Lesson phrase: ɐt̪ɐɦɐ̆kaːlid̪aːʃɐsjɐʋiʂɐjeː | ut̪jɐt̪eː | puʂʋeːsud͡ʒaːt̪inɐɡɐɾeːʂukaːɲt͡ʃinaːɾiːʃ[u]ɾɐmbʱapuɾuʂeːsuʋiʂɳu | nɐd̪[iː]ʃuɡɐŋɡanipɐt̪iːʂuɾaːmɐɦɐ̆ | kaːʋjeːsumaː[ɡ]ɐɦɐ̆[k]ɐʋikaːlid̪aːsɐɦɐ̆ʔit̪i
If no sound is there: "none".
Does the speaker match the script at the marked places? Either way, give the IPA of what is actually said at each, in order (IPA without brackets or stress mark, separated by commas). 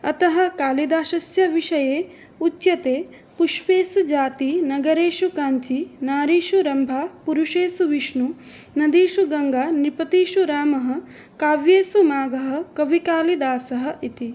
u, iː, ɡ, k